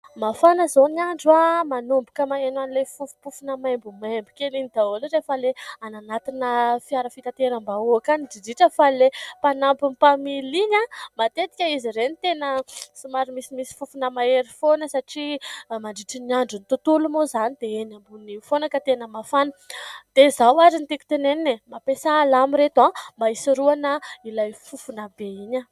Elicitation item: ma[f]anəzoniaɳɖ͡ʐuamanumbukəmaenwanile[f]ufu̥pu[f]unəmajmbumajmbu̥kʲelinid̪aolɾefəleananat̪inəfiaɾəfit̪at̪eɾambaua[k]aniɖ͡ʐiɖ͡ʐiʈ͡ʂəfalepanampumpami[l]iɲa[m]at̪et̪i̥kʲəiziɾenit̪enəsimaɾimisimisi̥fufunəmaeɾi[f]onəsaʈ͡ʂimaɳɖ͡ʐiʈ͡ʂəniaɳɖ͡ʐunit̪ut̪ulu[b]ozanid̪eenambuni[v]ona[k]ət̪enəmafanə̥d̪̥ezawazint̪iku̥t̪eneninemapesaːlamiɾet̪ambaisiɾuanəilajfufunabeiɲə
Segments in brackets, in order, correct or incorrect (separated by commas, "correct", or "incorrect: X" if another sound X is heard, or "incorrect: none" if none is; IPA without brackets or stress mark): correct, correct, correct, correct, correct, correct, correct, incorrect: m, incorrect: f, correct